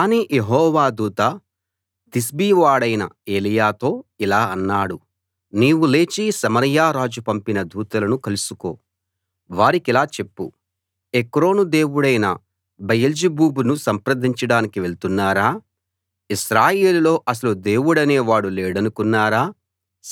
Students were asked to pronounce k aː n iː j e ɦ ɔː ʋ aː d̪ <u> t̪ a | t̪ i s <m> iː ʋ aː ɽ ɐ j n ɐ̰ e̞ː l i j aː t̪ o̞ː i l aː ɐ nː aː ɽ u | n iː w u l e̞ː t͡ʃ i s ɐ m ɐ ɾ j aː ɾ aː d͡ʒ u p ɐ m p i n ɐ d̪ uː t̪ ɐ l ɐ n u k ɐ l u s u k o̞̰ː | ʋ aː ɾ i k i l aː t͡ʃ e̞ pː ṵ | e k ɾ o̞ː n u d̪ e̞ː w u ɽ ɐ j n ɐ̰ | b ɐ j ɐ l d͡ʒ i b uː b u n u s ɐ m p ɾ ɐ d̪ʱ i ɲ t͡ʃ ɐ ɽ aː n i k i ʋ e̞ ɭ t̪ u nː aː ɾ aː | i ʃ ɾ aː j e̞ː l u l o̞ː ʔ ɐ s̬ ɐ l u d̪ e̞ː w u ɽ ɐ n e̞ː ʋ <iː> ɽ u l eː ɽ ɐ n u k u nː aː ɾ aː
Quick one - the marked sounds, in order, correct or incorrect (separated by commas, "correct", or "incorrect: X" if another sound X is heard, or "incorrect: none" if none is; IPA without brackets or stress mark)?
incorrect: uː, incorrect: b, incorrect: aː